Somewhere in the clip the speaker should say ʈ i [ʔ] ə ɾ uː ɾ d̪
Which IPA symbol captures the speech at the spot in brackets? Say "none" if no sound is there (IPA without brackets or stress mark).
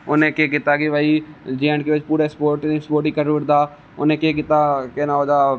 k